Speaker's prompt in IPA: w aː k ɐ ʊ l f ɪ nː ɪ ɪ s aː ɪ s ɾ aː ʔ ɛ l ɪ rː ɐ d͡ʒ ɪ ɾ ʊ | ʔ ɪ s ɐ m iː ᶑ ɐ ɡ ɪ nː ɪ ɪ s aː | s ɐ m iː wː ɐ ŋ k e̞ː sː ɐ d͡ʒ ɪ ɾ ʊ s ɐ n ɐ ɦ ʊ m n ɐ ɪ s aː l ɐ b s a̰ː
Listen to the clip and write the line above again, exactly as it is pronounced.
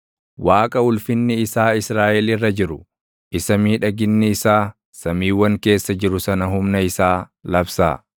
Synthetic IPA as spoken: w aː kʼ ɐ ʊ l f ɪ nː ɪ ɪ s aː ɪ s ɾ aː ʔ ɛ l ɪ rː ɐ d͡ʒ ɪ ɾ ʊ | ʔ ɪ s ɐ m iː ᶑ ɐ ɡ ɪ nː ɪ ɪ s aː | s ɐ m iː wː ɐ ŋ k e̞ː sː ɐ d͡ʒ ɪ ɾ ʊ s ɐ n ɐ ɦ ʊ m n ɐ ɪ s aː l ɐ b s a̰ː